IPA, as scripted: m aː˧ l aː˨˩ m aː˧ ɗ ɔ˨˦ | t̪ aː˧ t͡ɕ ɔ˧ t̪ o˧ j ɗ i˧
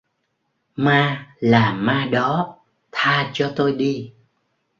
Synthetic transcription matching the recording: m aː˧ l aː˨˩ m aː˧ ɗ ɔ˨˦ | t̪ʰ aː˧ t͡ɕ ɔ˧ t̪ o˧ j ɗ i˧

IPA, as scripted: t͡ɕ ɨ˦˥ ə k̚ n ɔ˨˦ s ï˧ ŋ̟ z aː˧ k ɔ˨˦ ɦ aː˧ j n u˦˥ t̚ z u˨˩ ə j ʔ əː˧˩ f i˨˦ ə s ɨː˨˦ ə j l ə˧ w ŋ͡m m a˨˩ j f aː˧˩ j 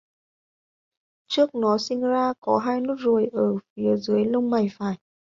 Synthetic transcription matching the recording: t͡ɕ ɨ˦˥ ə k̚ n ɔ˨˦ s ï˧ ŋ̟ z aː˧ k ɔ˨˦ ɦ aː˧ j n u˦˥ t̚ z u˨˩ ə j ʔ əː˧˩ f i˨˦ ə z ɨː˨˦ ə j l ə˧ w ŋ͡m m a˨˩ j f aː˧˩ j

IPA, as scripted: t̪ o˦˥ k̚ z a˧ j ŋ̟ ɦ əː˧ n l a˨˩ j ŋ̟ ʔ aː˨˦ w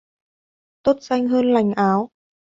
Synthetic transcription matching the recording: t̪ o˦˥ t̚ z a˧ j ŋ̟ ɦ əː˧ n l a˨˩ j ŋ̟ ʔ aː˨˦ w

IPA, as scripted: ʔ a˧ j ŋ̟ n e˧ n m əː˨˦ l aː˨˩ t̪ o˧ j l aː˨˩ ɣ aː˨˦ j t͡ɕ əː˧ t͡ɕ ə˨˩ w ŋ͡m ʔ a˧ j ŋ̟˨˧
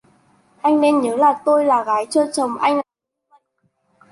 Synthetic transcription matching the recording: ʔ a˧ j ŋ̟ n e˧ n ɲ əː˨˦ l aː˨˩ t̪ o˧ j l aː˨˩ ɣ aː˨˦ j t͡ɕ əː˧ t͡ɕ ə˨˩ w ŋ͡m ʔ a˧ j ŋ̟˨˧

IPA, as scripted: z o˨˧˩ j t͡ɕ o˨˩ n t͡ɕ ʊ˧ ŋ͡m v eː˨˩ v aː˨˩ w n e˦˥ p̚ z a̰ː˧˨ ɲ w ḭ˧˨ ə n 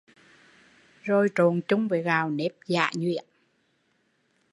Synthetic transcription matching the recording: z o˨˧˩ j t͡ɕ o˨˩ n t͡ɕ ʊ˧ ŋ͡m v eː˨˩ ɣ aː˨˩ w n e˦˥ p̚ z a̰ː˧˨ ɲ w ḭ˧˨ ə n

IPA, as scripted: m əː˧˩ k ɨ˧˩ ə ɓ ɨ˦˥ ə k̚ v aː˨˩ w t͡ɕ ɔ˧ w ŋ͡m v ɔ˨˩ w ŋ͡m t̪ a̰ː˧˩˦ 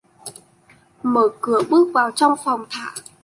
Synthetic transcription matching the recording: m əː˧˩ k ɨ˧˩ ə ɓ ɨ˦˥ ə k̚ v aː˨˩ w t͡ɕ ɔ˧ w ŋ͡m f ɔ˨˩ w ŋ͡m t̪ʰ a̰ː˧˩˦

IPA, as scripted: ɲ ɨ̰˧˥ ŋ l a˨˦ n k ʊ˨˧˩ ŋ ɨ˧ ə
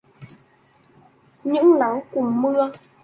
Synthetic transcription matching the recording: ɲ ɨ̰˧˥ ŋ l a˨˦ ŋ k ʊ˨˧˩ m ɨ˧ ə

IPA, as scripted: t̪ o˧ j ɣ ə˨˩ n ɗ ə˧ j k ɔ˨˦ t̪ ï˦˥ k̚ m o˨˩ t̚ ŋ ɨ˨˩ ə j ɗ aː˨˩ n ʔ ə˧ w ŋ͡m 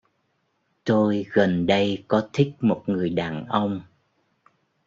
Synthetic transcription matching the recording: t̪ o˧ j ɣ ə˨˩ n ɗ ə˧ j k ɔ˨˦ t̪ʰ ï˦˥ k̚ m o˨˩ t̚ ŋ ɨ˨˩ ə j ɗ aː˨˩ n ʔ ə˧ w ŋ͡m

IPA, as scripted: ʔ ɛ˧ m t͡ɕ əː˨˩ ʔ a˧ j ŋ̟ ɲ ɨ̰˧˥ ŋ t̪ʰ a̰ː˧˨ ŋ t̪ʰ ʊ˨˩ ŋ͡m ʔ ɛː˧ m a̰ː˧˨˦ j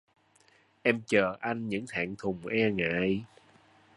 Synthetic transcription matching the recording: ʔ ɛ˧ m t͡ɕ əː˨˩ ʔ a˧ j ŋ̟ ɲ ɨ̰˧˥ ŋ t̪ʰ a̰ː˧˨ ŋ t̪ʰ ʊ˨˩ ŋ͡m ʔ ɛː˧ ŋ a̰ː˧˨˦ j

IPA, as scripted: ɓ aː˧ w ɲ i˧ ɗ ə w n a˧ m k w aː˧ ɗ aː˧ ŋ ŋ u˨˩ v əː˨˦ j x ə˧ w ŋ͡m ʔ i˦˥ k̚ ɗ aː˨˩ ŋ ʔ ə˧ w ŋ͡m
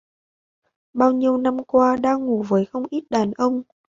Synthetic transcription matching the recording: ɓ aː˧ w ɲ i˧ ə w n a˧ m k w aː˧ ɗ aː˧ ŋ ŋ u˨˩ v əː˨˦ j x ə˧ w ŋ͡m ʔ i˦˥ t̚ ɗ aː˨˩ n ʔ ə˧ w ŋ͡m

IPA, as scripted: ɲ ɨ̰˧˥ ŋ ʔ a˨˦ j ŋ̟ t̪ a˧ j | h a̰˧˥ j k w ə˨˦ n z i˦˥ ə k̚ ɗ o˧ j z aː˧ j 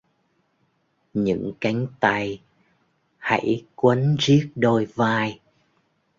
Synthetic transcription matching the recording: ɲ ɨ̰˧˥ ŋ k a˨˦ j ŋ̟ t̪ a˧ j | h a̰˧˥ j k w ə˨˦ n z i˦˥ ə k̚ ɗ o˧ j v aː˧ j

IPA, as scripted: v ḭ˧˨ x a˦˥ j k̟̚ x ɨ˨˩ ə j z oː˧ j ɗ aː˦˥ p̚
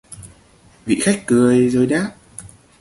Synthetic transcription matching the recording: v ḭ˧˨ x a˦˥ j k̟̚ k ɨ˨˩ ə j z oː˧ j ɗ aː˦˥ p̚

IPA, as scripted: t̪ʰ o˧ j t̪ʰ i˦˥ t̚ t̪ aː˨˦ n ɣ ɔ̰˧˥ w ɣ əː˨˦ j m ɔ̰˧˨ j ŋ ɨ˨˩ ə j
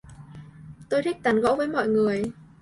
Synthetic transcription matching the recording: t̪ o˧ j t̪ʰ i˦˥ k̚ t̪ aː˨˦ n ɣ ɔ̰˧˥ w v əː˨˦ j m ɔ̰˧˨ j ŋ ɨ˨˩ ə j

